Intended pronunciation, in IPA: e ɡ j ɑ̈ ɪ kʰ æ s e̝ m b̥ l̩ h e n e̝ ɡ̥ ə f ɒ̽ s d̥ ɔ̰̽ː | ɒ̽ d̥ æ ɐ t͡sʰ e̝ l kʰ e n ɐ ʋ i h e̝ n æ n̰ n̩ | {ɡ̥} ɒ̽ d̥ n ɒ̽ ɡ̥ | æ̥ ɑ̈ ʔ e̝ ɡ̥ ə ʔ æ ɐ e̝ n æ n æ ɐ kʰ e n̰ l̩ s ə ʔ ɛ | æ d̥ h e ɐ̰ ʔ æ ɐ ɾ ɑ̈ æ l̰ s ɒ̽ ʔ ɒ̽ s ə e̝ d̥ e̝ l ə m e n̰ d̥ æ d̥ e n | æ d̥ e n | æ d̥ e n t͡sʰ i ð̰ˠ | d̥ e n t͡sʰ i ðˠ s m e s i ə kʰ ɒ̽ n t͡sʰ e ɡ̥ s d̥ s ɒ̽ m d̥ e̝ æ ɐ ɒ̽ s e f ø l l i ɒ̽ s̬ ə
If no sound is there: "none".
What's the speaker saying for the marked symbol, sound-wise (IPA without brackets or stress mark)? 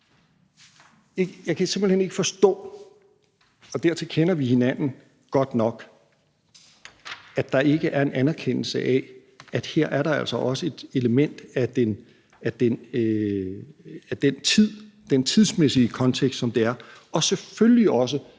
ɡ̥